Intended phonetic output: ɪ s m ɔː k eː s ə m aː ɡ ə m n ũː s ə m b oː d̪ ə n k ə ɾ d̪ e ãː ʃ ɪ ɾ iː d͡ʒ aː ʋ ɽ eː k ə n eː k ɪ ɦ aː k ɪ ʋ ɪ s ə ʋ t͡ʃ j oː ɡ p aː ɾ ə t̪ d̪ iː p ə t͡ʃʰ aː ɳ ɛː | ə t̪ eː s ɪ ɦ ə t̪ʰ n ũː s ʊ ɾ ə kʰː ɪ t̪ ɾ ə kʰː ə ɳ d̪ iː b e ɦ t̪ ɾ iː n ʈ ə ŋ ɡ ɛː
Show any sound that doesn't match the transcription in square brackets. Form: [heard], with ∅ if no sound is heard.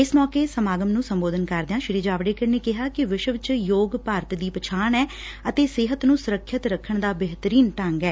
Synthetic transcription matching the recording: ɪ s m ɔː k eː s ə m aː ɡ ə m n ũː s ə m b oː d̪ ə n k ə ɾ d̪ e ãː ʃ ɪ ɾ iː d͡ʒ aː ʋ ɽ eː k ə n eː k ɪ ɦ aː k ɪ ʋ ɪ [ʃ] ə ʋ t͡ʃ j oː ɡ p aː ɾ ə t̪ d̪ iː p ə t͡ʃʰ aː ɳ ɛː | ə t̪ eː s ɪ ɦ ə [t̪] n ũː s ʊ ɾ ə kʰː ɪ t̪ ɾ ə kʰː ə ɳ d̪ [aː] b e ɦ t̪ ɾ iː n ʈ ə ŋ ɡ ɛː